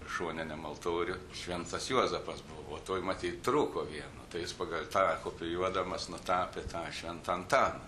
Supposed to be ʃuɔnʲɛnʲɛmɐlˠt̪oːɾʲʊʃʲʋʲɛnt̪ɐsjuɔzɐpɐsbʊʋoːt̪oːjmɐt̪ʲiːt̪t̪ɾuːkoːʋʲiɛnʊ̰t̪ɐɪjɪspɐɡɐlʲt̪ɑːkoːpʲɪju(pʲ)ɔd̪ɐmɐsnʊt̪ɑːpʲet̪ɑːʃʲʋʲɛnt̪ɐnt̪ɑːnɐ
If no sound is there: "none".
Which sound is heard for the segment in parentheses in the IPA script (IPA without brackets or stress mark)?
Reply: none